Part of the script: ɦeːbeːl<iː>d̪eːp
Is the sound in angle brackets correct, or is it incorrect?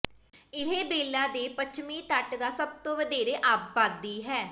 incorrect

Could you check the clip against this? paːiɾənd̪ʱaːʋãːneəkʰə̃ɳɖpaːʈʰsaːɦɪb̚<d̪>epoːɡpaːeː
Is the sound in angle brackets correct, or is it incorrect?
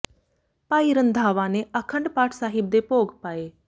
correct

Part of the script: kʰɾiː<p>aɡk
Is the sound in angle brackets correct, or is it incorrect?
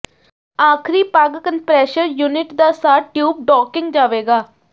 correct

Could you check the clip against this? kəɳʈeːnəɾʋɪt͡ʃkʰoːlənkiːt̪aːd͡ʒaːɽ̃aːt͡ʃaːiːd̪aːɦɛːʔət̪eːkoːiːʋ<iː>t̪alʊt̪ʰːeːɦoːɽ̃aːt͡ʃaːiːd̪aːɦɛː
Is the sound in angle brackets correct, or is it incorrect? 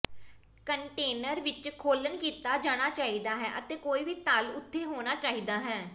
correct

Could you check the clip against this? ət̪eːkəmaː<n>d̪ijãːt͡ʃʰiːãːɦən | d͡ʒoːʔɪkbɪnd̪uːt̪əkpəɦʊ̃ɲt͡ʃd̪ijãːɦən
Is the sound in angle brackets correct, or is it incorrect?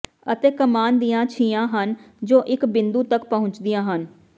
correct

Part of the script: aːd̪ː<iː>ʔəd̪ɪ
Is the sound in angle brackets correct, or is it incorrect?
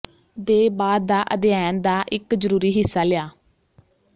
incorrect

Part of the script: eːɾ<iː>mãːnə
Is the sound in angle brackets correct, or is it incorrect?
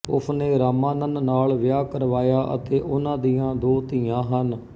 incorrect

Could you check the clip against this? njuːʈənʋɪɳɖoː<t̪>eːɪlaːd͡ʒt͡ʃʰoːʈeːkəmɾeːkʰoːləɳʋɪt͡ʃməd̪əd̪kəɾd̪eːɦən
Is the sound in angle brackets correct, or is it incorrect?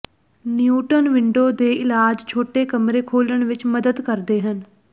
incorrect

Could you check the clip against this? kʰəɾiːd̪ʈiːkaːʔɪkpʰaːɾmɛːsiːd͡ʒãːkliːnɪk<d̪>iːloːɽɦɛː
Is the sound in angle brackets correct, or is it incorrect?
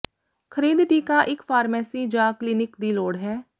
correct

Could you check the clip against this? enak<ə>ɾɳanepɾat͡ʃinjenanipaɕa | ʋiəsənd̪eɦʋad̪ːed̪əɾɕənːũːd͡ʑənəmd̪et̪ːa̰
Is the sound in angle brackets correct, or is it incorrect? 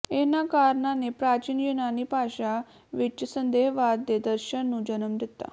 incorrect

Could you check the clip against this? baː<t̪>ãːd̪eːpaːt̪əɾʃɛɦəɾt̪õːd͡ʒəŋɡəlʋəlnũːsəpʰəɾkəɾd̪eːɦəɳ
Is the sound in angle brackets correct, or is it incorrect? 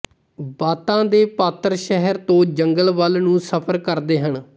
correct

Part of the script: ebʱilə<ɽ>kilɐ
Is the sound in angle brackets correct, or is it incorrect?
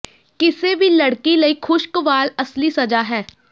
correct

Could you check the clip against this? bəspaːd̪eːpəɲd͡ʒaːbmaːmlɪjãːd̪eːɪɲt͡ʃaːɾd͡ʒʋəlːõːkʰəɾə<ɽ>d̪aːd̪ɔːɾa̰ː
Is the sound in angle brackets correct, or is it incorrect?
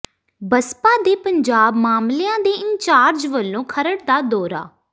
correct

